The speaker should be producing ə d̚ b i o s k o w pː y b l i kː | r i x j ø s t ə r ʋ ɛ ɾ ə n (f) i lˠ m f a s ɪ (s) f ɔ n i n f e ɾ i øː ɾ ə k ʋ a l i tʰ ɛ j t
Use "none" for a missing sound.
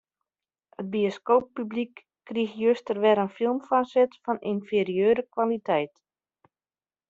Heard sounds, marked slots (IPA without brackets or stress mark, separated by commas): f, t